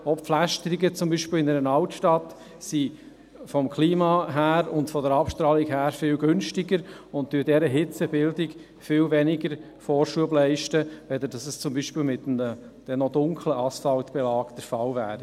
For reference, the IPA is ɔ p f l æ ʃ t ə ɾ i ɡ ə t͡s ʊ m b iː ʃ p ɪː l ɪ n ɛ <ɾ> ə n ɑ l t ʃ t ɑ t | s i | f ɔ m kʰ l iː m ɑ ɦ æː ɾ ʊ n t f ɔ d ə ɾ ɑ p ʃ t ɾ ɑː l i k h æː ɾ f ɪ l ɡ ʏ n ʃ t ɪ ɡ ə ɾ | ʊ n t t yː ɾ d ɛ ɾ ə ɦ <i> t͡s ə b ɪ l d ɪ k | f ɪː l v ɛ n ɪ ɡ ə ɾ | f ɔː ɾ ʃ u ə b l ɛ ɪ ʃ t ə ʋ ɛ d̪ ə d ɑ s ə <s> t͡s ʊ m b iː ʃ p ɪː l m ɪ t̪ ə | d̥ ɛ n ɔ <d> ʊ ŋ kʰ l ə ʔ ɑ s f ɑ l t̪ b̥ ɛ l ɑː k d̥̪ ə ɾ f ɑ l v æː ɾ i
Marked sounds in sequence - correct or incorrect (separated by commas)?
correct, incorrect, correct, correct